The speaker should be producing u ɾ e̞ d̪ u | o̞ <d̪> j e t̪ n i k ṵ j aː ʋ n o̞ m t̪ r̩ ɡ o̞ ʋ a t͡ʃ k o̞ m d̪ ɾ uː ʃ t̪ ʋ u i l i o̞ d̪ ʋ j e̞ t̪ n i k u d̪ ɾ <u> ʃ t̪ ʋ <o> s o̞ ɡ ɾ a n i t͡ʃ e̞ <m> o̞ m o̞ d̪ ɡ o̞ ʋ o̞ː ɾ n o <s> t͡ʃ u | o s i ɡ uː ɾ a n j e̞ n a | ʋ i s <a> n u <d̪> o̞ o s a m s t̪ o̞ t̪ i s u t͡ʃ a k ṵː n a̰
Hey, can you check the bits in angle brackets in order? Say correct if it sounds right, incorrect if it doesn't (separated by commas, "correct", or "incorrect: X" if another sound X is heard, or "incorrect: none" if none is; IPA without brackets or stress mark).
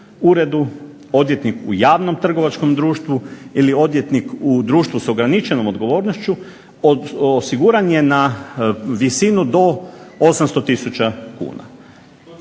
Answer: correct, incorrect: uː, incorrect: u, incorrect: n, incorrect: ʃ, incorrect: i, correct